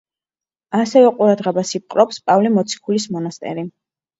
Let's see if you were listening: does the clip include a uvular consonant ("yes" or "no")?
yes